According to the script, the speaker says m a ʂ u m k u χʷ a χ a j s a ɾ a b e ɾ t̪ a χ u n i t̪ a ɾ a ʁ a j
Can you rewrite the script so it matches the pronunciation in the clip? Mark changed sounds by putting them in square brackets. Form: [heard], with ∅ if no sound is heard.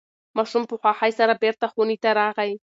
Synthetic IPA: m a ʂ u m [p] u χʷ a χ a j s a ɾ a b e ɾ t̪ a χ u n i t̪ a ɾ a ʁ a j